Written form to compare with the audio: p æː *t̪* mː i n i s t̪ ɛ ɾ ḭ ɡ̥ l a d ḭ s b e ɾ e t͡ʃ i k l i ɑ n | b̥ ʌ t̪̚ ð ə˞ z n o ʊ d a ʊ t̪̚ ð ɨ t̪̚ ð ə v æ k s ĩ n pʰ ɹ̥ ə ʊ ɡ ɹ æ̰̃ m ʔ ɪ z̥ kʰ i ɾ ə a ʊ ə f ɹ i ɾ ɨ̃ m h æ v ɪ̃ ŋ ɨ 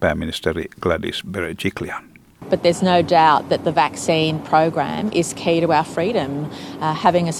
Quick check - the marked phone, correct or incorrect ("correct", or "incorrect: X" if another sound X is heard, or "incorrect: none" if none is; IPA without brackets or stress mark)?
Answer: incorrect: none